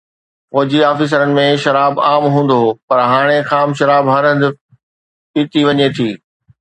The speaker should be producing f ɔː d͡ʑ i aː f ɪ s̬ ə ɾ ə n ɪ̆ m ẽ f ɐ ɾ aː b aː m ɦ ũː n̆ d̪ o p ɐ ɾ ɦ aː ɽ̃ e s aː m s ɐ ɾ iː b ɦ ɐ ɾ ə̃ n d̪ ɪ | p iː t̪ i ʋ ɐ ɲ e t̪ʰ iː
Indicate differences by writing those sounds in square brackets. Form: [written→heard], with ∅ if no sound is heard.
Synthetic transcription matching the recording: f ɔː d͡ʑ i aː f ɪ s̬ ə ɾ ə n ɪ̆ m ẽ [f→ʃ] ɐ ɾ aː b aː m ɦ ũː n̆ d̪ o p ɐ ɾ ɦ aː ɽ̃ e [s→x] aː m [s→ʃ] ɐ ɾ [iː→aː] b ɦ ɐ ɾ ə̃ n d̪ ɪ | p iː t̪ i ʋ ɐ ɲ e t̪ʰ iː